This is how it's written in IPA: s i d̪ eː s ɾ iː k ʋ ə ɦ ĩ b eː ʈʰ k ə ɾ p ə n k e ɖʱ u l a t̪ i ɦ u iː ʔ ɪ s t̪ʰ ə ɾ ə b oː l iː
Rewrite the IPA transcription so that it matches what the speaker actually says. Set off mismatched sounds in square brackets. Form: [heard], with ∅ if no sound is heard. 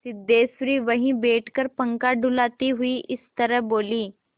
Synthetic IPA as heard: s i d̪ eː s ɾ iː [∅] ʋ ə ɦ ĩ b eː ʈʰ k ə ɾ p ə [ŋ] k [a] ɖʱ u l a t̪ i ɦ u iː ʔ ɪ s [t̪] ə ɾ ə b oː l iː